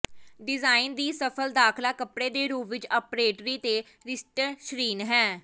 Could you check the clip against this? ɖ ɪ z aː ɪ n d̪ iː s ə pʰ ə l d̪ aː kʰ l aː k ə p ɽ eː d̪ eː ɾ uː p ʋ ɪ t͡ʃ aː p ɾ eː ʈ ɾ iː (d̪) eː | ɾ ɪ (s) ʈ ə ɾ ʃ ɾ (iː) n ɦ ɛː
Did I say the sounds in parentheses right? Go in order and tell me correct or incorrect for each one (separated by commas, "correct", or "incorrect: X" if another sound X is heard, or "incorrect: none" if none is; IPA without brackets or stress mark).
incorrect: t̪, correct, correct